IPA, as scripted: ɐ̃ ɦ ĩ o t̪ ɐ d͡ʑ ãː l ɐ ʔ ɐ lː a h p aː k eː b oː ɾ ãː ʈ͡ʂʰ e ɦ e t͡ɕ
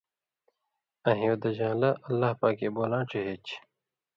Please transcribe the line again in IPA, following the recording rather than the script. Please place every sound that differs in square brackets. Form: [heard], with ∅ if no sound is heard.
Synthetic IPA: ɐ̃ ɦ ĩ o [d̪] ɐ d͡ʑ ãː l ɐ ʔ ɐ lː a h p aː k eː b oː [l] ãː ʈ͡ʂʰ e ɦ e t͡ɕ

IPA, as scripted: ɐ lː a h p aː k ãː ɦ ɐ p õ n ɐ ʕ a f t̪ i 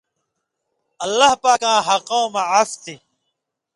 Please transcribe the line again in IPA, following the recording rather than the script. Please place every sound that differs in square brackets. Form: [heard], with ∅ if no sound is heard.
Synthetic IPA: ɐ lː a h p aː k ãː ɦ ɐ [q] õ [m] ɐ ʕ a f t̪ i

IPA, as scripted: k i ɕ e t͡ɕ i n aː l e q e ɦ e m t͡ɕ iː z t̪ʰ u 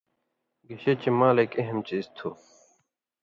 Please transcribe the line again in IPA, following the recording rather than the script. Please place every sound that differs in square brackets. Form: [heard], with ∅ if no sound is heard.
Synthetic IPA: [ɡ] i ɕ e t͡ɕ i [m] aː l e [k] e ɦ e m t͡ɕ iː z t̪ʰ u

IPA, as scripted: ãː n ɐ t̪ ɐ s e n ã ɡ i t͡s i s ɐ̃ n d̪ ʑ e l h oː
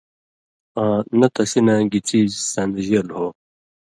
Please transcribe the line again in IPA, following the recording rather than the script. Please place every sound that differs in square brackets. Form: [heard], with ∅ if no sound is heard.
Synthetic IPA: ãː n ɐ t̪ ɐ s [i] n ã ɡ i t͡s i s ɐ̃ n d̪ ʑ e l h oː

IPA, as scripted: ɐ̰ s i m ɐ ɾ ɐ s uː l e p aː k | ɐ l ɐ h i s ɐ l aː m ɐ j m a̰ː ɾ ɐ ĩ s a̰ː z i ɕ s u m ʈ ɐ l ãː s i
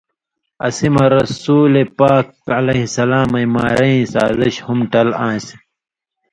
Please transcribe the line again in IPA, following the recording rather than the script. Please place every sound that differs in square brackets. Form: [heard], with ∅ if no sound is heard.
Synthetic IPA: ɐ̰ s i m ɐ ɾ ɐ s uː l e p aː k | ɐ l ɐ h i s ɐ l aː m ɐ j m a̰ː ɾ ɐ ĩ s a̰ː z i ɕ [h] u m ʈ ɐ l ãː s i

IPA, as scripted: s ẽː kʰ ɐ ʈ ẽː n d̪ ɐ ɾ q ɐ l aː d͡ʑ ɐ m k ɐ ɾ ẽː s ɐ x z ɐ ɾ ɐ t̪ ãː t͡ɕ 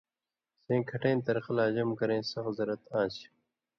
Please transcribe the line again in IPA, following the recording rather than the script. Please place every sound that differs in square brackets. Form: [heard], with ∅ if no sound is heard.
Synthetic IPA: s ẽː kʰ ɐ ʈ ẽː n [t̪] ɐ ɾ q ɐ l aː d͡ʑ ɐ m k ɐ ɾ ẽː s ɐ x z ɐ ɾ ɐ t̪ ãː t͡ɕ

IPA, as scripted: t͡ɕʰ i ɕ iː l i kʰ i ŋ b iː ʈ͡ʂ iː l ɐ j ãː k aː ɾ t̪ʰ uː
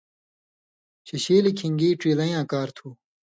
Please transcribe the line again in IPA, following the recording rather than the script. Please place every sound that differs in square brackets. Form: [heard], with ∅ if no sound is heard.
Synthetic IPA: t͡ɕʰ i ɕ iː l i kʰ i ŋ [ɡ] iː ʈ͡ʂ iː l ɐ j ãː k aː ɾ t̪ʰ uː

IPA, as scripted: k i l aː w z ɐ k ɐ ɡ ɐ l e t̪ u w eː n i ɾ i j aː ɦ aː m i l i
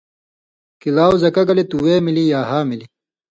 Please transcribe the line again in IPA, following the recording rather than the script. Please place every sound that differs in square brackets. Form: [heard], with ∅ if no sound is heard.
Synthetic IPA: k i l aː w z ɐ k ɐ ɡ ɐ l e t̪ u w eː [m] i [l] i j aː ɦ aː m i l i

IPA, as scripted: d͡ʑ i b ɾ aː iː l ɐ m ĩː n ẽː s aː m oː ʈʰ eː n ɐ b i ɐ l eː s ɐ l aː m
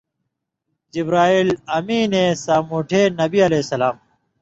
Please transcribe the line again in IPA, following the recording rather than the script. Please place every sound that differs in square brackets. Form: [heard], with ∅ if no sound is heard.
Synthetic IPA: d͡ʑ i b ɾ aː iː l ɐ m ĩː n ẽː s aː m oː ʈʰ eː n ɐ b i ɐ l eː s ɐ l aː m

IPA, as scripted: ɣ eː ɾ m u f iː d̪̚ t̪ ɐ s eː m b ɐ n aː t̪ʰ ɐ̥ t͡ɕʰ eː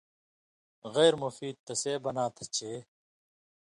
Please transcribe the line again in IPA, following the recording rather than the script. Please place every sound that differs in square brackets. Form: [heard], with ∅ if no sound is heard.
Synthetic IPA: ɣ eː ɾ m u f iː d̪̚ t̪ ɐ s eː [∅] b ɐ n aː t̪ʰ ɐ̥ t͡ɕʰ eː

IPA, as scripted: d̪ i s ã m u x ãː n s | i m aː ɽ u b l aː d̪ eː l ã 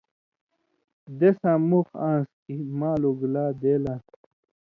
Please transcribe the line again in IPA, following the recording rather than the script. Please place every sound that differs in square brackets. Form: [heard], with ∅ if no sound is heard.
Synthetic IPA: d̪ [e] s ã m u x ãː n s | i m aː [l] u [ɡ] l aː d̪ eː l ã

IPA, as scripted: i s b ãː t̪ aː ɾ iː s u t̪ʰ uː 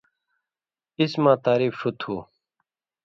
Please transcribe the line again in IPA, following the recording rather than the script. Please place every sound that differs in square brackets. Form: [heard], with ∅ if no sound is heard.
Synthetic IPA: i s [m] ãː t̪ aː ɾ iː [f] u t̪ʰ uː

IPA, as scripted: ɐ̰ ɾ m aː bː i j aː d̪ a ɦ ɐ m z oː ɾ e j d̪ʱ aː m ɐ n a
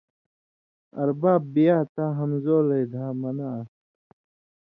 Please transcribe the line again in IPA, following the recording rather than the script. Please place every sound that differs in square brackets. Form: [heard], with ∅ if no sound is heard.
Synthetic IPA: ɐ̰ ɾ [b] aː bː i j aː [t̪] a ɦ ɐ m z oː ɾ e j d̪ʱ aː m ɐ n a

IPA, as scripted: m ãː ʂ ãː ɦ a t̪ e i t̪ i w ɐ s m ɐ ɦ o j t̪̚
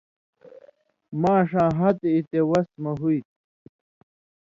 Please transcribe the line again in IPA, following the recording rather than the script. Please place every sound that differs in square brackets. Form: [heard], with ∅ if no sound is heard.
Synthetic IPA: m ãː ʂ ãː ɦ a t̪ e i t̪ [e] w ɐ s m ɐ ɦ [u] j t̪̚

